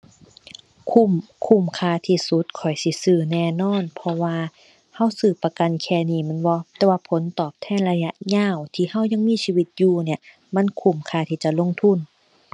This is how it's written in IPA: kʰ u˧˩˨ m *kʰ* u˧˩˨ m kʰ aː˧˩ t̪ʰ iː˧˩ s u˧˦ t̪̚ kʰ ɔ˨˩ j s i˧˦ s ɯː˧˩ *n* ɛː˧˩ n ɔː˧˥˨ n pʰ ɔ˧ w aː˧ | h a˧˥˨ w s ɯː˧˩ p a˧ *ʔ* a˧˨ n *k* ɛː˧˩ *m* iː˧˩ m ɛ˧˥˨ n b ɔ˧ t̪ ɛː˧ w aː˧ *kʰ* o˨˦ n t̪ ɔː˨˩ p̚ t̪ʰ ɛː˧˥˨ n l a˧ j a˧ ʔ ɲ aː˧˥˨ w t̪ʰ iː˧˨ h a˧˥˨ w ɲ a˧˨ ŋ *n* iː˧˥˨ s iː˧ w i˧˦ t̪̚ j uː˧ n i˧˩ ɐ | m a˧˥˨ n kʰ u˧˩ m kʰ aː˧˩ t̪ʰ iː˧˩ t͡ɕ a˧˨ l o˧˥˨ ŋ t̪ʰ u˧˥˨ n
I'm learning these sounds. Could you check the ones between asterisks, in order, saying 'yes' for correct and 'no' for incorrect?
yes, yes, no, no, no, no, no

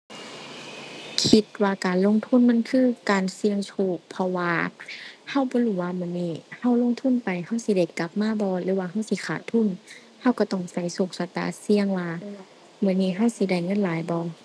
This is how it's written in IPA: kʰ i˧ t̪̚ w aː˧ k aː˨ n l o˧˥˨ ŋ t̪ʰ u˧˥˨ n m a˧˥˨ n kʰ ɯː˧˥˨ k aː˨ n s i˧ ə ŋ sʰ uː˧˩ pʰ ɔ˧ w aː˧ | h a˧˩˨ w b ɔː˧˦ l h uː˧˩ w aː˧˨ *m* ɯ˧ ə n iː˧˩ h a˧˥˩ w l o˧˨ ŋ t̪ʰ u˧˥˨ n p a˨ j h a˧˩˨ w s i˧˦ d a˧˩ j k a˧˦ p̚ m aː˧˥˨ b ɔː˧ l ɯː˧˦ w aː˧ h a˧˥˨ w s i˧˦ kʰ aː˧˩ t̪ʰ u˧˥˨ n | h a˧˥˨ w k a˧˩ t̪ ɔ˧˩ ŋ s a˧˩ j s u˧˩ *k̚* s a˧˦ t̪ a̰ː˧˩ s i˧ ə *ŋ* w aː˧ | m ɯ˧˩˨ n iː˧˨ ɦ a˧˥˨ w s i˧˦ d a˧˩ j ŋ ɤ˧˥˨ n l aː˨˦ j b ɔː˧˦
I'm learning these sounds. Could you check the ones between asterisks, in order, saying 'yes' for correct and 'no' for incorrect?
yes, yes, yes

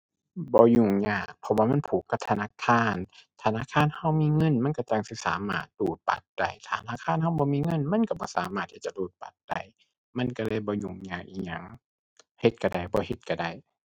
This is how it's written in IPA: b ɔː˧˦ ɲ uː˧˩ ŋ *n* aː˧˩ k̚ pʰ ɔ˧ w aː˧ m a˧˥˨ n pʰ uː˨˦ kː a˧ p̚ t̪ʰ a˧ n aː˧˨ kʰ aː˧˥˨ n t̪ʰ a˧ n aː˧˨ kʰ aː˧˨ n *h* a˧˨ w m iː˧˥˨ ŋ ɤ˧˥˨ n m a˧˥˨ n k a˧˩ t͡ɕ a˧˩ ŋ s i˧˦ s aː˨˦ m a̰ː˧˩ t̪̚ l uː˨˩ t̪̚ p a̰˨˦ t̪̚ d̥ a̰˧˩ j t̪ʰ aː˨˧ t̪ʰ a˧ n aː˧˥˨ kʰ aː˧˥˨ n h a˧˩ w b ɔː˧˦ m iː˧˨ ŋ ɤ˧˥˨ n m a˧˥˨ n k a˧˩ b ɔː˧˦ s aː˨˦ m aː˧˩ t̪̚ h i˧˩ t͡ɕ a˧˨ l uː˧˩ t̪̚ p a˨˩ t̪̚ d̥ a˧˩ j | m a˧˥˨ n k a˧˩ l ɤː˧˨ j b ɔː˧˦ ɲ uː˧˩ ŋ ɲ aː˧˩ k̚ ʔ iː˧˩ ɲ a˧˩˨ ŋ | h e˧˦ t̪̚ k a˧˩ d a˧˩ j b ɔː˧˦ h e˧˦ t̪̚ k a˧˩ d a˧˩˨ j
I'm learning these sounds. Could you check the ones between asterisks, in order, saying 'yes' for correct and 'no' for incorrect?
no, yes

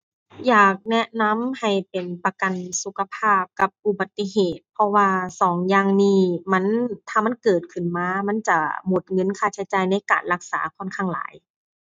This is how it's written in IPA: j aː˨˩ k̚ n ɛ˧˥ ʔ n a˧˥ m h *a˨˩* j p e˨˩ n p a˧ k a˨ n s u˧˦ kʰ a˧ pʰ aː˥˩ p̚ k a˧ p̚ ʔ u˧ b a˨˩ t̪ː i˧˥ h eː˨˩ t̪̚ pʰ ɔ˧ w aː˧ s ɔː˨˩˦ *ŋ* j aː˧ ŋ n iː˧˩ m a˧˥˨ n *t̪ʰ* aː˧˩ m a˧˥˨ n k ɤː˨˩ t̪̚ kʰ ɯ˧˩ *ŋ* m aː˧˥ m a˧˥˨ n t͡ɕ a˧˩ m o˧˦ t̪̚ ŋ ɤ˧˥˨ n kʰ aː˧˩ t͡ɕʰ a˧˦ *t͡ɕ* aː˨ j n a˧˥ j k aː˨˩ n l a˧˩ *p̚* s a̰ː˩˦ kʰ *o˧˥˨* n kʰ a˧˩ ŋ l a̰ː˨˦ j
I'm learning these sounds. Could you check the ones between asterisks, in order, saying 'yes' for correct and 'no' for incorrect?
yes, yes, yes, no, yes, no, no

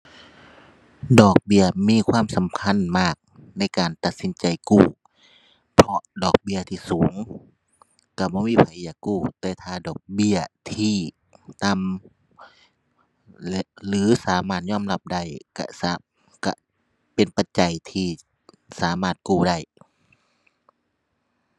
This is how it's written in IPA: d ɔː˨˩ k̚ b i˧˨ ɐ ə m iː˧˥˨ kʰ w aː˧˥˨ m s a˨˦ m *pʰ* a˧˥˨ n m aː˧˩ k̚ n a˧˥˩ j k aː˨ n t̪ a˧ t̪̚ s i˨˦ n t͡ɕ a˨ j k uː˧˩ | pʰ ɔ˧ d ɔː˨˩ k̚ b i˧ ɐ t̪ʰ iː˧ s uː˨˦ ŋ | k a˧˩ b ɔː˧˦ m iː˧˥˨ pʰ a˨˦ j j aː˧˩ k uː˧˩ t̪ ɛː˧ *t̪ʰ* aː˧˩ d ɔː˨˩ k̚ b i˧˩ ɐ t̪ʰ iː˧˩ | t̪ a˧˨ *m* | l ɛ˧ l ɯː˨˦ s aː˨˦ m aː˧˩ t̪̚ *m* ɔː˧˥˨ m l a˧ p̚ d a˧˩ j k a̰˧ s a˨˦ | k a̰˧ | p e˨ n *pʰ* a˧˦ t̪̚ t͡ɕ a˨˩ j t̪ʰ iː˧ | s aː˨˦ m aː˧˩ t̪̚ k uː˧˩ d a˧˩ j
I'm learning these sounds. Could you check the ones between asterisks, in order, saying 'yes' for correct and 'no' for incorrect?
no, yes, yes, no, no

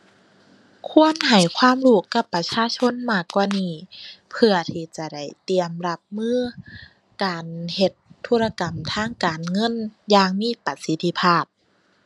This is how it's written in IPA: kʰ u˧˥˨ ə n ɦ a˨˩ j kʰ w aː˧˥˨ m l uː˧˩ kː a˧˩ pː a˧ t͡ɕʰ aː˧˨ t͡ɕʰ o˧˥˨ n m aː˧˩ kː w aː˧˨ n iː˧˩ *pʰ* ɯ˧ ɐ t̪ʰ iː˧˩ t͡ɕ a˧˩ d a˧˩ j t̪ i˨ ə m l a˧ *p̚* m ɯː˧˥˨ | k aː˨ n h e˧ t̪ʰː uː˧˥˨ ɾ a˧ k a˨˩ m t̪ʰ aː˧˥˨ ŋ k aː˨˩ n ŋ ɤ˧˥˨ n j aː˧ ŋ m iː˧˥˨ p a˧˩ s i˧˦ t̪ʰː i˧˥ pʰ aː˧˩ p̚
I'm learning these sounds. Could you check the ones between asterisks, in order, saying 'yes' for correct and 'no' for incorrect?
yes, yes

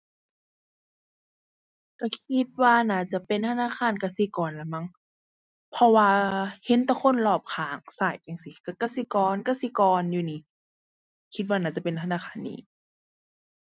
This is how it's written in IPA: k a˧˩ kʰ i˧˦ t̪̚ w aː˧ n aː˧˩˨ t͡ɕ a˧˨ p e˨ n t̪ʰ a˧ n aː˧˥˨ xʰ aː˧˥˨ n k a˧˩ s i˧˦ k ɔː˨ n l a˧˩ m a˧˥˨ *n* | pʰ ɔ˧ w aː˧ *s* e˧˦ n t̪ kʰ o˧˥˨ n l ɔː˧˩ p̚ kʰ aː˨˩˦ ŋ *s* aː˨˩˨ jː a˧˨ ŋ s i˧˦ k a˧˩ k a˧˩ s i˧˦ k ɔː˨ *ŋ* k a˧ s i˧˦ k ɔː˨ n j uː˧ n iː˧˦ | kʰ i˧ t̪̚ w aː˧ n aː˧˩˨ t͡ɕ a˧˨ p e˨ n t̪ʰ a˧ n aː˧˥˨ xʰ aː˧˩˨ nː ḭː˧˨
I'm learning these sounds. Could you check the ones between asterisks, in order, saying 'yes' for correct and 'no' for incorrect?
no, no, yes, no

